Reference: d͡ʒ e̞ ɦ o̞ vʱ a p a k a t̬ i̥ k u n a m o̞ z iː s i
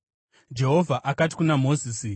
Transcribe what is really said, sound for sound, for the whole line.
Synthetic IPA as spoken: d͡ʒ e̞ ɦ o̞ vʱ a ʔ a k a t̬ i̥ k u n a m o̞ z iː s i